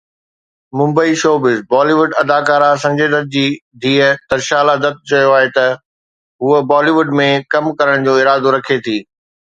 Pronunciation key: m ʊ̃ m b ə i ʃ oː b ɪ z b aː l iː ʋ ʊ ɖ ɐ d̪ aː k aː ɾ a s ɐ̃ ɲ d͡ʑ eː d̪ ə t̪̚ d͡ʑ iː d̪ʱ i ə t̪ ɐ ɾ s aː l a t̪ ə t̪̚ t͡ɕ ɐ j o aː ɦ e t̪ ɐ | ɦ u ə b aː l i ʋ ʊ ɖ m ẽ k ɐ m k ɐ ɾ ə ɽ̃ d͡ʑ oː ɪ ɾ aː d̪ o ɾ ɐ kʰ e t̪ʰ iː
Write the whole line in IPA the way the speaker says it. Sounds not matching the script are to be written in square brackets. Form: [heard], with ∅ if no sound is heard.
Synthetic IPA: m ʊ̃ m b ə i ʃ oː b ɪ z b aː l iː ʋ ʊ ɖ ɐ d̪ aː k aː ɾ a s ɐ̃ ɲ d͡ʑ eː d̪ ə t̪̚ d͡ʑ iː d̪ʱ [iː] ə t̪ ɐ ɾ [ʃ] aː l a [d̪] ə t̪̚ t͡ɕ ɐ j o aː ɦ e t̪ ɐ | ɦ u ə b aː l i ʋ ʊ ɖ m ẽ k ɐ m k ɐ ɾ ə ɽ̃ d͡ʑ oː ɪ ɾ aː d̪ o ɾ ɐ kʰ e t̪ʰ iː

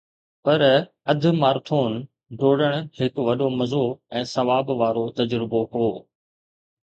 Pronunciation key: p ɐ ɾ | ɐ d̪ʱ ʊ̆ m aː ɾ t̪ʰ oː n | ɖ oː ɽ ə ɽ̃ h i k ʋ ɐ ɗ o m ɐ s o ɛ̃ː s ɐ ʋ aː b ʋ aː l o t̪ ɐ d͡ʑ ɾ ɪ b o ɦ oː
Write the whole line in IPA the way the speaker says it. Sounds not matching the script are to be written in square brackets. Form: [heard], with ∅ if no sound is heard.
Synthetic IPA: p ɐ ɾ | ɐ d̪ʱ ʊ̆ m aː ɾ t̪ʰ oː n | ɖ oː ɽ ə ɽ̃ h [ɪ] k ʋ ɐ ɗ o m ɐ [z] o ɛ̃ː s ɐ ʋ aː b ʋ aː [ɾ] o t̪ ɐ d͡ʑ ɾ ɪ b o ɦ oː

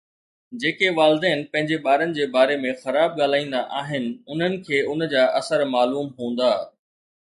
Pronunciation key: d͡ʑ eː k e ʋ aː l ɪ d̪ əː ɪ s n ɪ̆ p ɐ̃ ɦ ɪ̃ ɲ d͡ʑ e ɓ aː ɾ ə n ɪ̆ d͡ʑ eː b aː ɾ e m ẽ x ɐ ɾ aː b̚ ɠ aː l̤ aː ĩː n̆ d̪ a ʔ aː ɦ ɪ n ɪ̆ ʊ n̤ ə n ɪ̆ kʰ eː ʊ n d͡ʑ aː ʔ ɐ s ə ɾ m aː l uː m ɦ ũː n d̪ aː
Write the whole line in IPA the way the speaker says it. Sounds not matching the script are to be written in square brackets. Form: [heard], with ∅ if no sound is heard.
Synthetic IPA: d͡ʑ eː k e ʋ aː l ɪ d̪ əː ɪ [∅] n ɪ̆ p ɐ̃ ɦ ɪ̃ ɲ d͡ʑ e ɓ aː ɾ ə n ɪ̆ d͡ʑ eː b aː ɾ e m ẽ x ɐ ɾ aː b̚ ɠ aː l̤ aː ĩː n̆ d̪ a ʔ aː ɦ ɪ n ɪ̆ ʊ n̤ ə n ɪ̆ kʰ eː ʊ n d͡ʑ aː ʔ ɐ s ə ɾ m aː l uː m ɦ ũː n d̪ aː

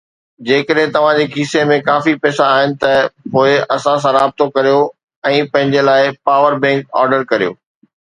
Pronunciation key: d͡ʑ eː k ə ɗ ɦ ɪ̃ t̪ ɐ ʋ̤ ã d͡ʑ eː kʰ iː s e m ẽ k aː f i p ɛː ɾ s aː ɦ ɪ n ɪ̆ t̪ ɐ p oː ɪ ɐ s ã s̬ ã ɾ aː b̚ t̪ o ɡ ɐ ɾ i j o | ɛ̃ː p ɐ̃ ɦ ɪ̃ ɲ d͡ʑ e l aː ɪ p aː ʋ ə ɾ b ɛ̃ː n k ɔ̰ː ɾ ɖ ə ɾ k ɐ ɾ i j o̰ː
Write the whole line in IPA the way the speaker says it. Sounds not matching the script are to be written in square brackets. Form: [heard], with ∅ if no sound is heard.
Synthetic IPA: d͡ʑ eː k ə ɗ ɦ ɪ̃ t̪ ɐ ʋ̤ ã d͡ʑ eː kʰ iː s e m ẽ k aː f i p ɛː [∅] s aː ɦ ɪ n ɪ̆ t̪ ɐ p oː ɪ ɐ s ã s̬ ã ɾ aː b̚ t̪ o [k] ɐ ɾ i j o | ɛ̃ː p ɐ̃ ɦ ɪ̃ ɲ d͡ʑ e l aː ɪ p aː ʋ ə ɾ b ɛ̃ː [ŋ] k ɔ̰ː ɾ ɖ ə ɾ k ɐ ɾ i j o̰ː

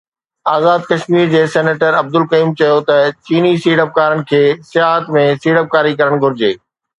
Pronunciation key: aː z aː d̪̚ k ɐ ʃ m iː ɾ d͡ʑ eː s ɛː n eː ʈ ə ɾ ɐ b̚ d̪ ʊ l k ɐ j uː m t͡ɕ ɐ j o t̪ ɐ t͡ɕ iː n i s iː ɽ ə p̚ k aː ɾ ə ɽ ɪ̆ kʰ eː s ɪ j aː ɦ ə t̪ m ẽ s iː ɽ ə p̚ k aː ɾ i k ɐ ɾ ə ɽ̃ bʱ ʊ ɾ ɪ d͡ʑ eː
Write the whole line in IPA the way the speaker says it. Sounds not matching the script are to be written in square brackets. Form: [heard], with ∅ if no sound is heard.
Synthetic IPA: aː z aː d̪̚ k ɐ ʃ m iː ɾ d͡ʑ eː s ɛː n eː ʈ ə ɾ ɐ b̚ d̪ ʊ l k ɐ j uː m t͡ɕ ɐ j o t̪ ɐ t͡ɕ iː n i s iː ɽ ə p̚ k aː ɾ ə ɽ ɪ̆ kʰ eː s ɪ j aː ɦ ə t̪ m ẽ s iː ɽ ə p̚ k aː ɾ i k ɐ ɾ ə ɽ̃ [ɡʱ] ʊ ɾ ɪ d͡ʑ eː

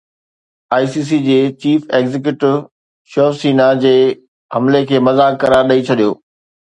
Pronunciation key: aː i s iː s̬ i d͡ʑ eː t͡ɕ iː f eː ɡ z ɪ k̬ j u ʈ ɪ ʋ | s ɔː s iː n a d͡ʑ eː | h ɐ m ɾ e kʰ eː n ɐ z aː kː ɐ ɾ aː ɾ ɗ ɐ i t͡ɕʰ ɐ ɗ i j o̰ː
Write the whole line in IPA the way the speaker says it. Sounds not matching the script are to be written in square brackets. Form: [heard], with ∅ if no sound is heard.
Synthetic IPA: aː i s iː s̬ i d͡ʑ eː t͡ɕ iː f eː ɡ z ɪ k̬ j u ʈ ɪ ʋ | [ʃ] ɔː s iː n a d͡ʑ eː | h ɐ m [l] e kʰ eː [m] ɐ z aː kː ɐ ɾ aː ɾ ɗ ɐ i t͡ɕʰ ɐ ɗ i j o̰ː

